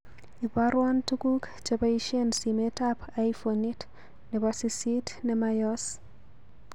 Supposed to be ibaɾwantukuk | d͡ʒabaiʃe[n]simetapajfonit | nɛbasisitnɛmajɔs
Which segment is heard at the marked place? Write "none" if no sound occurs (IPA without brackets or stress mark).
n